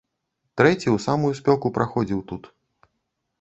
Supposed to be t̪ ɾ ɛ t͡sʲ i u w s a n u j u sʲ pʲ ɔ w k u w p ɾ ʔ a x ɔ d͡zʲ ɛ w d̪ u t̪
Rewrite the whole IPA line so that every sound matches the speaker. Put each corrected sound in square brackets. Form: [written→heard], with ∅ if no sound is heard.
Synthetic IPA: t̪ ɾ ɛ t͡sʲ i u w s a [n→m] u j u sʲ pʲ ɔ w k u [w→∅] p ɾ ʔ a x ɔ d͡zʲ [ɛ→i] w [d̪→t̪] u t̪